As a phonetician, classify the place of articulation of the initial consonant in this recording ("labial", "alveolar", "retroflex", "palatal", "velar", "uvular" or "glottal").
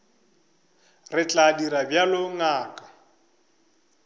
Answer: alveolar